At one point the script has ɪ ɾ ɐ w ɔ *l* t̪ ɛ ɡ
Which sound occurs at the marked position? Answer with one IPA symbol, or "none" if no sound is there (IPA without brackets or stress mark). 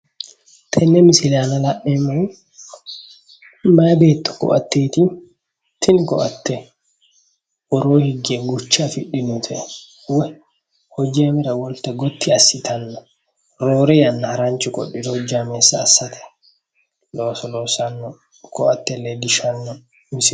l